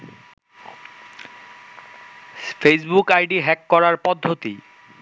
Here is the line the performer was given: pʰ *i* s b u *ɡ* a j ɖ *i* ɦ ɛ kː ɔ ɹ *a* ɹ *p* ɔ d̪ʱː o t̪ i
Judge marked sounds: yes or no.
no, no, yes, yes, yes

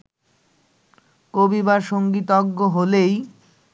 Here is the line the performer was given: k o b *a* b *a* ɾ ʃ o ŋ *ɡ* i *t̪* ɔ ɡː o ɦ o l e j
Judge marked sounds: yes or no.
no, yes, yes, yes

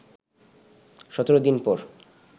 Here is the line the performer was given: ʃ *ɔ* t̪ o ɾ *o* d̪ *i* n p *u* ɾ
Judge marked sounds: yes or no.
yes, yes, yes, no

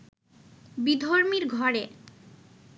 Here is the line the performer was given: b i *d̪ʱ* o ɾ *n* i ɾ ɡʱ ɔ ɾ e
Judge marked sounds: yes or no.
yes, no

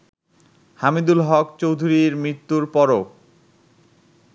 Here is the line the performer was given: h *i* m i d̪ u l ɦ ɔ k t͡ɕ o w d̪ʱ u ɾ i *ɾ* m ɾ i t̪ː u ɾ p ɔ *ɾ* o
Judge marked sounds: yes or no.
no, yes, yes

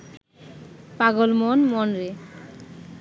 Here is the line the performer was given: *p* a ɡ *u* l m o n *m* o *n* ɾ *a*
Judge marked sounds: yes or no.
yes, no, yes, yes, no

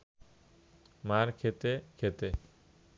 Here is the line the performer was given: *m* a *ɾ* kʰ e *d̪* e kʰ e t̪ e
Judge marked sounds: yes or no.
yes, yes, no

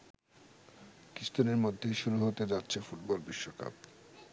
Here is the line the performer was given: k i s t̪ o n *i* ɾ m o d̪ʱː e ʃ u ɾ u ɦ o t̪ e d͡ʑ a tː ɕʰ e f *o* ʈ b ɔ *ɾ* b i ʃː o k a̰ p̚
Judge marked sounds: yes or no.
no, no, no

